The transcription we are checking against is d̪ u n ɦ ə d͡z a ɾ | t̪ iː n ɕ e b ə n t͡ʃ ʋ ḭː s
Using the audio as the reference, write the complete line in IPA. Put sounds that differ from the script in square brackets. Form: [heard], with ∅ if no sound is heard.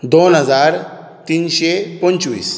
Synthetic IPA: d̪ [o] n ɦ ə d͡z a ɾ | t̪ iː n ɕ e [p] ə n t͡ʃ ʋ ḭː s